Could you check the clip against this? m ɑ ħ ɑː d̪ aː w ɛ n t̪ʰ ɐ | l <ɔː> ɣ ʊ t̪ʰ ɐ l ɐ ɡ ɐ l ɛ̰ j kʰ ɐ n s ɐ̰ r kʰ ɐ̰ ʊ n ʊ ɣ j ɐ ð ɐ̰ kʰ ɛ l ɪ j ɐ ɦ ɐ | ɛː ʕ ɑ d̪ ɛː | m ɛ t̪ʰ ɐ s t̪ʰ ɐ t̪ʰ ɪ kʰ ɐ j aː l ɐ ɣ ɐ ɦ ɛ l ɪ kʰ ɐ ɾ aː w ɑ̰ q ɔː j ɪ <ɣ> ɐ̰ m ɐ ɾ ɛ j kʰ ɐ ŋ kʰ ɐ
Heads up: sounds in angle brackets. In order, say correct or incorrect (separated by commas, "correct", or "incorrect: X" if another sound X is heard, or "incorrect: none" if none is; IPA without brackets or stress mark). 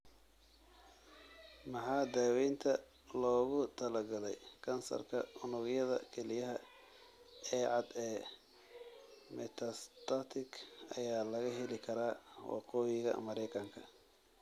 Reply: correct, correct